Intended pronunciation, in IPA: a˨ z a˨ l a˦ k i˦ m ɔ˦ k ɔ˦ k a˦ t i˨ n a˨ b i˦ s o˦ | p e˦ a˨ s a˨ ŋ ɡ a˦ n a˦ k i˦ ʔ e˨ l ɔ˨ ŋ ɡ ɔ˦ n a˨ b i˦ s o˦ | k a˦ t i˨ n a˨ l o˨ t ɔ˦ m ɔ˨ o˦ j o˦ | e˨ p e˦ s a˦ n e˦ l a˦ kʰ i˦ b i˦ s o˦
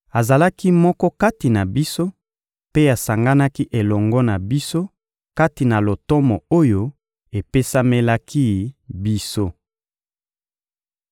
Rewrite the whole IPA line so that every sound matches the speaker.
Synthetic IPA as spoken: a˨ z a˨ l a˦ k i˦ m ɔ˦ k ɔ˦ k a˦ t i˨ n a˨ b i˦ s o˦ | p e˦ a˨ s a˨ ŋ ɡ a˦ n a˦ k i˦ ʔ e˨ l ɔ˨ ŋ ɡ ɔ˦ n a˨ b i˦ s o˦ | k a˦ t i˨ n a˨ l o˨ t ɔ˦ m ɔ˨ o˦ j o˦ | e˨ p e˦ s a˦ m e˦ l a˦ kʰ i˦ b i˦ s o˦